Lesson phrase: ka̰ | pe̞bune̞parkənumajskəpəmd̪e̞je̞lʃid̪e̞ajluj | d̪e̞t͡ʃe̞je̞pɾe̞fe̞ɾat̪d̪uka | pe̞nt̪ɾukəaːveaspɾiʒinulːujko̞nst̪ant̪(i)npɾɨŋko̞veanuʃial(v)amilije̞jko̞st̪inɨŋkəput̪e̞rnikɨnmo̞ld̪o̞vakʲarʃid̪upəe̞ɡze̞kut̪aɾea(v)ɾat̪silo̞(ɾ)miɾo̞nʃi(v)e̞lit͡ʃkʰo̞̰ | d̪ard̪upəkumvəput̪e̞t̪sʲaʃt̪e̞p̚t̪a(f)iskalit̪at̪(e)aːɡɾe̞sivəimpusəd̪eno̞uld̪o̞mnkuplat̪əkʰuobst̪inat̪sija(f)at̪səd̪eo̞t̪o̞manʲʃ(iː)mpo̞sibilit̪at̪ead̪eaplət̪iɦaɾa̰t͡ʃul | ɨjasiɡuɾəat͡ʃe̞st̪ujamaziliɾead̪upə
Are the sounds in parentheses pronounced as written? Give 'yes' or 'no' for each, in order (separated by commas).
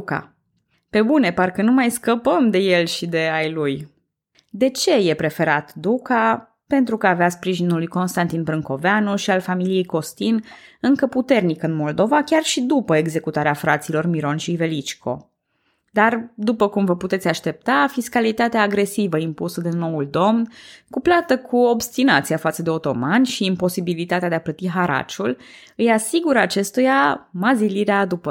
yes, no, no, no, yes, yes, yes, yes, yes